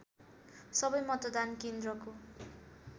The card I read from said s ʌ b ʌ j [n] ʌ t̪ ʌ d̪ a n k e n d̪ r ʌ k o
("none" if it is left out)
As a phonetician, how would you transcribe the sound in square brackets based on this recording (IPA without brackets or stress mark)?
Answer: m